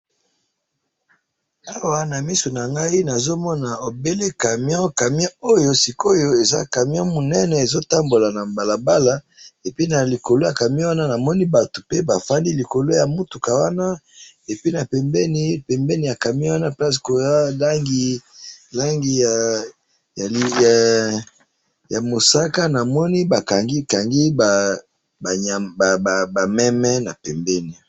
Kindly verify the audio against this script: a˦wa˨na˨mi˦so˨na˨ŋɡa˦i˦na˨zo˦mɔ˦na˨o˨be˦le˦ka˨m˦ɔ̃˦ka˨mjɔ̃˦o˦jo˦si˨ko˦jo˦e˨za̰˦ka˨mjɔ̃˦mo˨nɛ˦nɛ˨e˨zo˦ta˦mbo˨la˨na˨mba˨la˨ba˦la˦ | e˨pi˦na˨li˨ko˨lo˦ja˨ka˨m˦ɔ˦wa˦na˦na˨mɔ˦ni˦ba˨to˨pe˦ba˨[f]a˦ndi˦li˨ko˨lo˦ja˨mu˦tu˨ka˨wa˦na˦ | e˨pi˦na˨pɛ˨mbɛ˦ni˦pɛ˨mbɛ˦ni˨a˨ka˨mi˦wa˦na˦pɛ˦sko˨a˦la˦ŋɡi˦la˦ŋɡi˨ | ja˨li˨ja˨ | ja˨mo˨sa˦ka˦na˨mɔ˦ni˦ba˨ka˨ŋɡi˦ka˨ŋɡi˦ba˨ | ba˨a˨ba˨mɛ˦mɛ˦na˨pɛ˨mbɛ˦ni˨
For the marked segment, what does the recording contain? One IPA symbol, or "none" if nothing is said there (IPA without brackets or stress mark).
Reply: f